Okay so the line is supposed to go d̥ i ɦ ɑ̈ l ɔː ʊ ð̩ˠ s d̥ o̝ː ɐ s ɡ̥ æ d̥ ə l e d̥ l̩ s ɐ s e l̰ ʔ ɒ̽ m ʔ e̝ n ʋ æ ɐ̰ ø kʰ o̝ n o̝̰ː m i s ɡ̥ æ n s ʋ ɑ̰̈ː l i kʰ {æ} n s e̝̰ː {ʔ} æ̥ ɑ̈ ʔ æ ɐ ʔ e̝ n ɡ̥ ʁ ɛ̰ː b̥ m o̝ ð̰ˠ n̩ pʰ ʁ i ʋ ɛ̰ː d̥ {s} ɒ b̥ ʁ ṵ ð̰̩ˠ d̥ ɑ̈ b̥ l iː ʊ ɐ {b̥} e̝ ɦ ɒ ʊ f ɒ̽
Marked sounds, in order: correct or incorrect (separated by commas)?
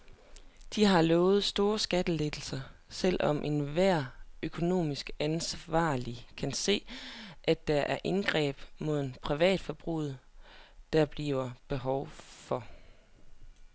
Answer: correct, correct, incorrect, correct